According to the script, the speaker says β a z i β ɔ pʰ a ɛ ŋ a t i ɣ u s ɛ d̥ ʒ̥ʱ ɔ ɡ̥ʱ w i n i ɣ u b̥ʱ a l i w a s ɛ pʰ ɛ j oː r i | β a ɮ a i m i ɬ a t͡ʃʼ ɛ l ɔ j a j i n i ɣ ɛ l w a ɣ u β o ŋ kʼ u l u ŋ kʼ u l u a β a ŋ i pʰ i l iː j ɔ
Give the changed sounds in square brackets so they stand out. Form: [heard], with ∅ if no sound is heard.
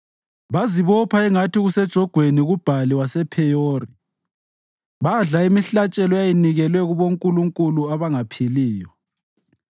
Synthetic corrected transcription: β a z i β ɔ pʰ a ɛ ŋ a t i ɣ u s ɛ d̥ ʒ̥ʱ ɔ ɡ̥ʱ w [e] n i ɣ u b̥ʱ a l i w a s ɛ pʰ ɛ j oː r i | β a ɮ a i m i ɬ a t͡ʃʼ ɛ l ɔ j a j i n i ɣ ɛ l w [ɛ] ɣ u β o ŋ kʼ u l u ŋ kʼ u l u a β a ŋ [a] pʰ i l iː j ɔ